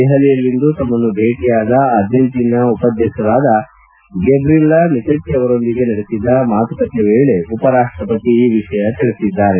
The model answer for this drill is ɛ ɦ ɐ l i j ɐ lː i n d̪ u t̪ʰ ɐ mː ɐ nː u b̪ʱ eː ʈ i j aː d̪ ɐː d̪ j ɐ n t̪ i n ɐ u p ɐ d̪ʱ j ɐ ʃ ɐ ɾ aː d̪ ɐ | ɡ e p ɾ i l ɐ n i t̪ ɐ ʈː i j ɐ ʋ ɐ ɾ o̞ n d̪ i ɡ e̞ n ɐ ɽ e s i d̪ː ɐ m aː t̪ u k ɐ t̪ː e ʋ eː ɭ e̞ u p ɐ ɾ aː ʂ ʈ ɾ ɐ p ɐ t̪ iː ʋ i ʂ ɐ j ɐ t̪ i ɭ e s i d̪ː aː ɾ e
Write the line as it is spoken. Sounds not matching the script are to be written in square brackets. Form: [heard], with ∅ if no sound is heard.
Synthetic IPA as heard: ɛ ɦ ɐ l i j ɐ lː i n d̪ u [t̪] ɐ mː ɐ nː u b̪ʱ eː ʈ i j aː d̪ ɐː d̪ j ɐ n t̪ i n ɐ u p ɐ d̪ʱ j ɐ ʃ ɐ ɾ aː d̪ ɐ | ɡ e [b] ɾ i l ɐ n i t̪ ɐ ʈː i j ɐ ʋ ɐ ɾ o̞ n d̪ i ɡ e̞ n ɐ ɽ e s i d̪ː ɐ m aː t̪ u k ɐ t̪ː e ʋ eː ɭ e̞ u p ɐ ɾ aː ʂ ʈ ɾ ɐ p ɐ t̪ iː ʋ i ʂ ɐ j ɐ t̪ i ɭ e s i d̪ː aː ɾ e

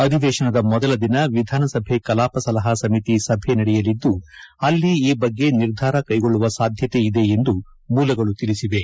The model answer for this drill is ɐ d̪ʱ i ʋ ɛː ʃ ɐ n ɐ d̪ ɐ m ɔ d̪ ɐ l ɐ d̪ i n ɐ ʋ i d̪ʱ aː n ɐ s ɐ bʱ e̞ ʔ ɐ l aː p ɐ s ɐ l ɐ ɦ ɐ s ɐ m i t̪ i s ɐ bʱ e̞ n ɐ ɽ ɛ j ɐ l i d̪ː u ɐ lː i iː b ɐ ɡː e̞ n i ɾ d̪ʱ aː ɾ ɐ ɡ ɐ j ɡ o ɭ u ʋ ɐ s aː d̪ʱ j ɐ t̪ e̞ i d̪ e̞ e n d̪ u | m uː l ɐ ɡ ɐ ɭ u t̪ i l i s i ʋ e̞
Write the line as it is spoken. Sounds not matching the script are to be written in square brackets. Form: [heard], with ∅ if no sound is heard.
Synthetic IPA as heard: ɐ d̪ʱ i ʋ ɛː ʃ ɐ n ɐ d̪ ɐ m ɔ d̪ ɐ l ɐ d̪ i n ɐ ʋ i d̪ʱ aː n ɐ s ɐ bʱ e̞ [k] ɐ l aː p ɐ s ɐ l ɐ ɦ ɐ s ɐ m i t̪ i s ɐ bʱ e̞ n ɐ ɽ ɛ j ɐ l i d̪ː u ɐ lː i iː b ɐ ɡː e̞ n i ɾ d̪ʱ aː ɾ ɐ [k] ɐ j ɡ o [ɭː] u ʋ ɐ s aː d̪ʱ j ɐ t̪ e̞ i d̪ e̞ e n d̪ u | m uː l ɐ ɡ ɐ ɭ u t̪ i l i s i ʋ e̞

